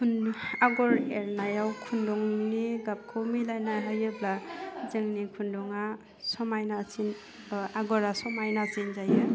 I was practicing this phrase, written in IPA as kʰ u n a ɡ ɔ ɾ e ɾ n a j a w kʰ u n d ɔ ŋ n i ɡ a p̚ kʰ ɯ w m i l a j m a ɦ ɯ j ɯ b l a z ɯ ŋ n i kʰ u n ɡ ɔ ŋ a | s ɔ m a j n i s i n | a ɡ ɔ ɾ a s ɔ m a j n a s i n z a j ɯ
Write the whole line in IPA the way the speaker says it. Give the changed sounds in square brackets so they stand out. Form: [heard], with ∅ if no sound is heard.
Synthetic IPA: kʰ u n a ɡ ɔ ɾ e ɾ n a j a w kʰ u n d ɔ ŋ n i ɡ a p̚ kʰ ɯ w m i l a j [n] a ɦ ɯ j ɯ b l a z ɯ ŋ n i kʰ u n [d] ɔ ŋ a | s ɔ m a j n [a] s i n | a ɡ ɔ ɾ a s ɔ m a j n a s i n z a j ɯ